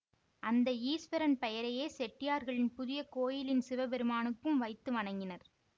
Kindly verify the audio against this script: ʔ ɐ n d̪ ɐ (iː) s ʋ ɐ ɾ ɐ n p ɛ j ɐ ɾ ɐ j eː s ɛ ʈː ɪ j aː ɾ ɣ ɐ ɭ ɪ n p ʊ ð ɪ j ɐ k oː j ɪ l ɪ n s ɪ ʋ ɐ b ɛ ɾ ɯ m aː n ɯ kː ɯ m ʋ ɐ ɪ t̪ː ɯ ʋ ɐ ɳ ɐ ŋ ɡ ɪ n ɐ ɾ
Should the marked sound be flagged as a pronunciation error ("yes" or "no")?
no